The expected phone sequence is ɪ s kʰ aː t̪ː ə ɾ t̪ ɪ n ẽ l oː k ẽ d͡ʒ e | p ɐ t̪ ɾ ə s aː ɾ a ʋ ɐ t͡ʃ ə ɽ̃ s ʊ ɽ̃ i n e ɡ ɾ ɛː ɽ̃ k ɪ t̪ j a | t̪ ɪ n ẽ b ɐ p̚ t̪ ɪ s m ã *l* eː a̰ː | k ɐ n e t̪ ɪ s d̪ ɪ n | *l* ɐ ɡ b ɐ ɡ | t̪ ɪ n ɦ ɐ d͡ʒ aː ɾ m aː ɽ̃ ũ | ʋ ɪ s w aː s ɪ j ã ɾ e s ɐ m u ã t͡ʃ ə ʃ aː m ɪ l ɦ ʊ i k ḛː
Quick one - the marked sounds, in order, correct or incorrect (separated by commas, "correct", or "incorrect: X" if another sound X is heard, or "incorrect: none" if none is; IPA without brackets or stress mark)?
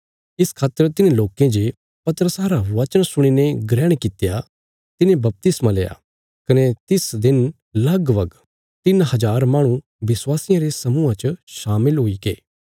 correct, correct